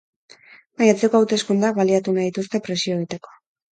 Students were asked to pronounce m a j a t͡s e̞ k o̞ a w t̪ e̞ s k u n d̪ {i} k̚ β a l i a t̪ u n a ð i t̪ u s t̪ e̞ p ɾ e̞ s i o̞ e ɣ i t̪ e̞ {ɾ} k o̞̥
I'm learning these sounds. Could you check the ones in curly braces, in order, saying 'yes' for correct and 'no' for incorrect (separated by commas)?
no, no